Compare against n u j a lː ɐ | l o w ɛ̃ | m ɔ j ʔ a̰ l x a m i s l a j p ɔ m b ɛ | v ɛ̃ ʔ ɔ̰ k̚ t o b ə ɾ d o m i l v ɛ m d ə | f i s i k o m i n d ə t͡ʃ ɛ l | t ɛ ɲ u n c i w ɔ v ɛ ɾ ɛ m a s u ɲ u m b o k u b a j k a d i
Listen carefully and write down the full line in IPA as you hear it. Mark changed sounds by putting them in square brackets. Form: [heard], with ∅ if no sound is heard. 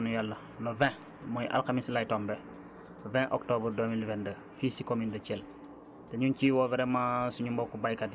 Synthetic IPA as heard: n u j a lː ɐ | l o [v] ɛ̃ | m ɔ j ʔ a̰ l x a m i s l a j [t] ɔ m b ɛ | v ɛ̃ ʔ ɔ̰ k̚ t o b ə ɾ d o m i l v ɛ [n] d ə | f i s i k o m i n d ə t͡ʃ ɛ l | t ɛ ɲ u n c i w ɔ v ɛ ɾ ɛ m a s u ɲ u m b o k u b a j k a d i